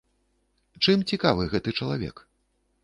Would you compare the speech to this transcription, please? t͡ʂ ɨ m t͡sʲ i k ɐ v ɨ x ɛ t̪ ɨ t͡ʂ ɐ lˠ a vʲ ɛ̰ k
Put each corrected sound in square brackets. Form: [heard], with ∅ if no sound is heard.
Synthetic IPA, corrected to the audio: t͡ʂ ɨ m t͡sʲ i k [a] v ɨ [ɣ] ɛ t̪ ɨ t͡ʂ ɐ lˠ a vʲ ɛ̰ k